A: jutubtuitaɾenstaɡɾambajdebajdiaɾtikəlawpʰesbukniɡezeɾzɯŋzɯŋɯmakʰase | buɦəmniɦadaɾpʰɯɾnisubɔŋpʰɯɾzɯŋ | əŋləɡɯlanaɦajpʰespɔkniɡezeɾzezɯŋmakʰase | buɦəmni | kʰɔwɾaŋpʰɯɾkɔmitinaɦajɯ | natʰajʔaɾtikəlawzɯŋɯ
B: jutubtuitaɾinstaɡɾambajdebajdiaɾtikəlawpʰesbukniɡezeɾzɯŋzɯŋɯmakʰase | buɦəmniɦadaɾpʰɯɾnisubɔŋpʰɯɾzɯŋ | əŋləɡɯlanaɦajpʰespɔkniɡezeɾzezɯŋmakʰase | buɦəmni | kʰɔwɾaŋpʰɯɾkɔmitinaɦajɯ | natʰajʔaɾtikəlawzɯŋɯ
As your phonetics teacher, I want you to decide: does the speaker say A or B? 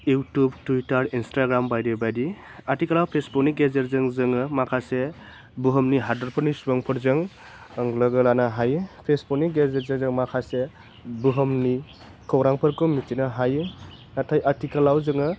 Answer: B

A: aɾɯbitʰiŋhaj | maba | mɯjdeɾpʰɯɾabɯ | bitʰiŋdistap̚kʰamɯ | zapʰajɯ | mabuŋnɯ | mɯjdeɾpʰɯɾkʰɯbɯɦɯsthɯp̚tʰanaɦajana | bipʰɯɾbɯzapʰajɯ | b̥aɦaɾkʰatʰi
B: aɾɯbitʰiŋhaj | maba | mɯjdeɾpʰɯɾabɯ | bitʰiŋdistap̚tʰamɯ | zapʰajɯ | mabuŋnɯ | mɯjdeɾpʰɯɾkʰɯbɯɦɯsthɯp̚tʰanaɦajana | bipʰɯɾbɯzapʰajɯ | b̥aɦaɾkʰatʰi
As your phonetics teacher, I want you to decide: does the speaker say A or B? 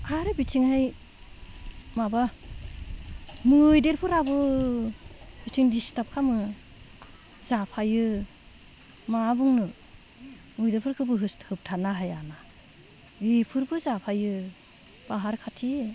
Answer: A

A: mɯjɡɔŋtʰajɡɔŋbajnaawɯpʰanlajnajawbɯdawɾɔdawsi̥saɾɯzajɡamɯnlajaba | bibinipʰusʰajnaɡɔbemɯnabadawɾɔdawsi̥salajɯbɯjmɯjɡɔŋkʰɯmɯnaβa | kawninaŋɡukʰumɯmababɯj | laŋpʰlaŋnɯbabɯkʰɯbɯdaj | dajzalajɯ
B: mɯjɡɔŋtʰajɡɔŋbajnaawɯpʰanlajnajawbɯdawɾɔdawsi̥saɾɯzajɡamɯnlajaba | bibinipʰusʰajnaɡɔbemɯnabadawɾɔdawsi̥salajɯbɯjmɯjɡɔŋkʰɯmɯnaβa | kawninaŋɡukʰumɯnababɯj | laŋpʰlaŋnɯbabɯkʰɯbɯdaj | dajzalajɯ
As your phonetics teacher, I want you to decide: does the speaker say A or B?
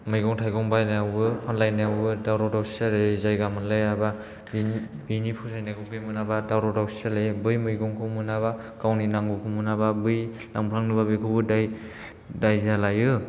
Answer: B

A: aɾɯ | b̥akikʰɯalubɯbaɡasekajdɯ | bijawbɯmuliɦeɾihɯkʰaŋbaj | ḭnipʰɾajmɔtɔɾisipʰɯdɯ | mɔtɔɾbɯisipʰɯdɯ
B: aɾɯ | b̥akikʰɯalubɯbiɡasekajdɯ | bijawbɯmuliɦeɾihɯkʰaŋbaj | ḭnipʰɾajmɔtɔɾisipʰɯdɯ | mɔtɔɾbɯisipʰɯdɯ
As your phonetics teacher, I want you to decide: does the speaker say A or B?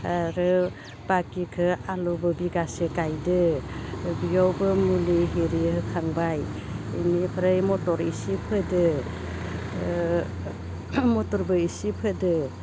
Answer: B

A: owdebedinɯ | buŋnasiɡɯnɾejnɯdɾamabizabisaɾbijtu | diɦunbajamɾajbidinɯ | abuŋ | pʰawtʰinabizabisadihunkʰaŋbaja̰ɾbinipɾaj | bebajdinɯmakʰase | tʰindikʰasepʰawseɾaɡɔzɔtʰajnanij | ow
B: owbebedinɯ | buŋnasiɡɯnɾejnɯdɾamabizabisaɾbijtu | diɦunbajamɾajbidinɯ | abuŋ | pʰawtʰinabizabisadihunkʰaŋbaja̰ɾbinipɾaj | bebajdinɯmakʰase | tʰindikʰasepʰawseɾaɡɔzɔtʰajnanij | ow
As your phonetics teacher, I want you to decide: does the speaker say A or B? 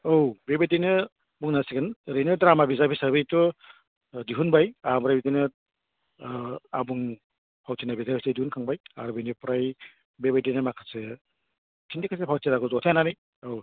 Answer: B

